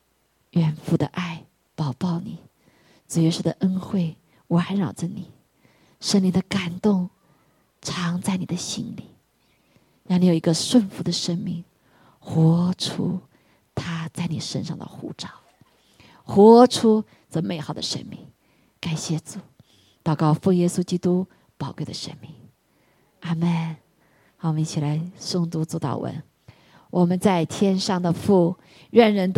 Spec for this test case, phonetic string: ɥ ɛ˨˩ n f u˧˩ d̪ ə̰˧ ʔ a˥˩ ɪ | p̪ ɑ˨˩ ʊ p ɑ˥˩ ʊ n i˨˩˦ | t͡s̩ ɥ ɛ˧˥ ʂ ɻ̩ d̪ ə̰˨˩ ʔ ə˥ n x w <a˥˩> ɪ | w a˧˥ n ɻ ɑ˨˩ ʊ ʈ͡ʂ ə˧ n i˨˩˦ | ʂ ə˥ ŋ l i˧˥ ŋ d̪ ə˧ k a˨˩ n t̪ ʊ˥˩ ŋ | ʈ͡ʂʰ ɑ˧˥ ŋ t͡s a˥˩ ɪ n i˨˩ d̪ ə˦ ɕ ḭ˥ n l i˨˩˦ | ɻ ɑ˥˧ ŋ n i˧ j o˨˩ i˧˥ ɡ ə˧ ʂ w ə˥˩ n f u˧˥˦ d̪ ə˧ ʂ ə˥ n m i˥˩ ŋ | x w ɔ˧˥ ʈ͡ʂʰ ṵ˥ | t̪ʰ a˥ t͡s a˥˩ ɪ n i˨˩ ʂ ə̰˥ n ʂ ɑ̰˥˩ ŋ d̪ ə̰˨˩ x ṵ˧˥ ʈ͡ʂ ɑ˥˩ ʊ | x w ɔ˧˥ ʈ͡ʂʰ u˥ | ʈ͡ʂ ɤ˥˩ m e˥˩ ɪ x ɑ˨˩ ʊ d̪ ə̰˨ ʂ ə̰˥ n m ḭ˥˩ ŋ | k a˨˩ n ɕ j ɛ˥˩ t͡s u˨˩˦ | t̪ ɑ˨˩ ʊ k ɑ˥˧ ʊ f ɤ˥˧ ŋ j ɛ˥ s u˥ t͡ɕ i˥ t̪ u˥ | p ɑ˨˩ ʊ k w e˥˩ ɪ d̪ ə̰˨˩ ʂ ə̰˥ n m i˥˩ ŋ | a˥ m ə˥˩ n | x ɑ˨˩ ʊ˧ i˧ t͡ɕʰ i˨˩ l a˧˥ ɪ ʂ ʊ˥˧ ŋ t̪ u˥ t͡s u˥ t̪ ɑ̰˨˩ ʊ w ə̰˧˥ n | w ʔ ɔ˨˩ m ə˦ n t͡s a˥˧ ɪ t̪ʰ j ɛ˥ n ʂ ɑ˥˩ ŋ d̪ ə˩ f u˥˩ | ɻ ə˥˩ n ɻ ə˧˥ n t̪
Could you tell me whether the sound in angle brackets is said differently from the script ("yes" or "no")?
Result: yes